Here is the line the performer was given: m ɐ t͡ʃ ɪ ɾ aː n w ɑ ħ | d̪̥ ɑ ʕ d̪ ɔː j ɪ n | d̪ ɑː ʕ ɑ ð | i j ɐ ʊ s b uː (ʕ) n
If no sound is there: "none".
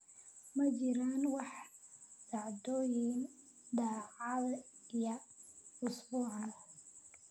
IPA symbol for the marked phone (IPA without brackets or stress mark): ʕ